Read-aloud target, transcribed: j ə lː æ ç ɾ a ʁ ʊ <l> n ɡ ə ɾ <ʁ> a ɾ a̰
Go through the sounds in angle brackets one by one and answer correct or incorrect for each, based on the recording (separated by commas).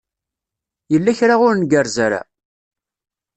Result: incorrect, incorrect